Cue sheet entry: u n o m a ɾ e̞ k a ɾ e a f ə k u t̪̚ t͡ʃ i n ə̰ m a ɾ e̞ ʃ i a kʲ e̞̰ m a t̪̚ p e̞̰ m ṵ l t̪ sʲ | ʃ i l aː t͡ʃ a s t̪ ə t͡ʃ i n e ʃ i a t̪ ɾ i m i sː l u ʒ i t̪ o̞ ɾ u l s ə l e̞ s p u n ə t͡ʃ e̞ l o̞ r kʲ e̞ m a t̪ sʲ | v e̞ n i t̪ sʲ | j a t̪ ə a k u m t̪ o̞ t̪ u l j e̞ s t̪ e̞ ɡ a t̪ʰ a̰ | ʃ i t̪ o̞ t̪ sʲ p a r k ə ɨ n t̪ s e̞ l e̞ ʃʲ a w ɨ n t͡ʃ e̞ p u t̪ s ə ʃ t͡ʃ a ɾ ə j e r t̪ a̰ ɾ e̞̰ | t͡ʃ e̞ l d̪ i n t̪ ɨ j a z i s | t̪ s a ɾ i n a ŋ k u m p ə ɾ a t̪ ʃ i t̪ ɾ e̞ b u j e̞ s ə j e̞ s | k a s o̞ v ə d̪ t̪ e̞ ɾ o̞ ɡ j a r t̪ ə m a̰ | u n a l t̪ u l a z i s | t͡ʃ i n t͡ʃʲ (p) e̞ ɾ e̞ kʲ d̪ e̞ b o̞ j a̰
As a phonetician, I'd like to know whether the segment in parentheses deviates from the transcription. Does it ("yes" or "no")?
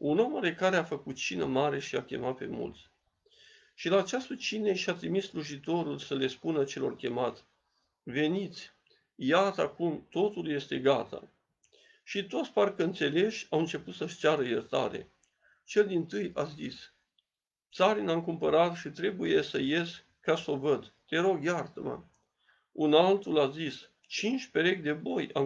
no